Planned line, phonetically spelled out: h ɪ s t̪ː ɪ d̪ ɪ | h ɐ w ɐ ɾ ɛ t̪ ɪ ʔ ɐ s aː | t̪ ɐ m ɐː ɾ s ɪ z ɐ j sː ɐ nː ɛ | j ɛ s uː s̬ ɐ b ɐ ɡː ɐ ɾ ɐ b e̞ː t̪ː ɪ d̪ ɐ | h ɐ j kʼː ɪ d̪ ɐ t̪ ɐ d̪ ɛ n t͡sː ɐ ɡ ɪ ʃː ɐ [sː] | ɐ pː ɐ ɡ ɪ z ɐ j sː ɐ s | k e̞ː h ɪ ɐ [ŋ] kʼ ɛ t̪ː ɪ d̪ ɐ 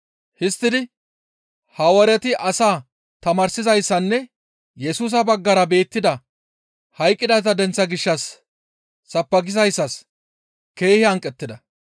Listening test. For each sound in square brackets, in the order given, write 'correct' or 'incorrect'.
correct, correct

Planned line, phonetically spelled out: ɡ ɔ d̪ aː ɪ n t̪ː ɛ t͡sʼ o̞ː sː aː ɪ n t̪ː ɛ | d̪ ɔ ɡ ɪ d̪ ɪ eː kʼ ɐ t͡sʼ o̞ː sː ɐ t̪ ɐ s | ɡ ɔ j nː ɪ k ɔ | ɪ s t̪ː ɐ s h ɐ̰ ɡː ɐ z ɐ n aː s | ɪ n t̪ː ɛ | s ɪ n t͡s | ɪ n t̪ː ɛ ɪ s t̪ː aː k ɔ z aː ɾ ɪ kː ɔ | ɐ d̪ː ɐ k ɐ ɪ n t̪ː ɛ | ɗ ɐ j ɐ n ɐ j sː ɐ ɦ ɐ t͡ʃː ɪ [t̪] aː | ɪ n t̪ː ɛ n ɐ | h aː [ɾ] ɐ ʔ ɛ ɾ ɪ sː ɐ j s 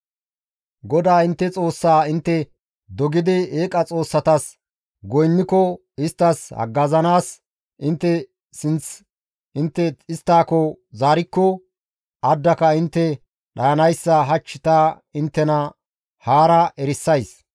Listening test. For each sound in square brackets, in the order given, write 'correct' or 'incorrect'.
correct, correct

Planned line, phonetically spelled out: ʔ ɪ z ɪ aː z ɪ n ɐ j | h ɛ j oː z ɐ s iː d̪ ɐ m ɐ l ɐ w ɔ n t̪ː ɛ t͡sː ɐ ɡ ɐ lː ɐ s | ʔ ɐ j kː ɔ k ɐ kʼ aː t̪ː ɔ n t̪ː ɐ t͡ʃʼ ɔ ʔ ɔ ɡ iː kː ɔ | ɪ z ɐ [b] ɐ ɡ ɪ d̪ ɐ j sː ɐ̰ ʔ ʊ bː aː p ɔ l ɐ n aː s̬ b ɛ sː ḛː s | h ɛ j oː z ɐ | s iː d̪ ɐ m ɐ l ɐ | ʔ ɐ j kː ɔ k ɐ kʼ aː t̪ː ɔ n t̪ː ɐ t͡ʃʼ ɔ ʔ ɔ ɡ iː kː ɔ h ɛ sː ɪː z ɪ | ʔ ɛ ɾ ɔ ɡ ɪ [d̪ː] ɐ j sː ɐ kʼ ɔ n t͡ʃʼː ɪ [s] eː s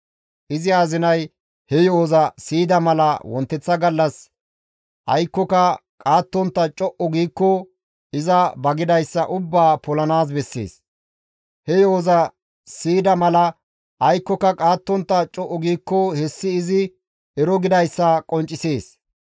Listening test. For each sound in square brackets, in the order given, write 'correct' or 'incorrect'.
correct, incorrect, correct

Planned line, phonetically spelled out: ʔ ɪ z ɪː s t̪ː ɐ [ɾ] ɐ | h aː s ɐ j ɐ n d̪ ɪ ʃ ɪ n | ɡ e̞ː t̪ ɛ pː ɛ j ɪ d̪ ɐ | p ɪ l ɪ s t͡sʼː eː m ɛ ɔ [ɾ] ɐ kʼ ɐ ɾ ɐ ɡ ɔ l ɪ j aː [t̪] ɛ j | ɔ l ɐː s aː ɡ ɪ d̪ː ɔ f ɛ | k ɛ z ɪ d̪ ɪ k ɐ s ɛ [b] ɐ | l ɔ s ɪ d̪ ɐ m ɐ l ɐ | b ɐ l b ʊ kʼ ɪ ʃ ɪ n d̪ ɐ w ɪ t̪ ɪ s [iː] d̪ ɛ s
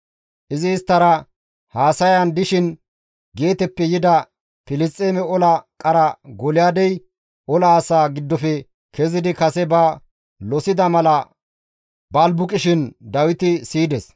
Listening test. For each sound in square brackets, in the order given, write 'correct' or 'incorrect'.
correct, incorrect, incorrect, correct, correct

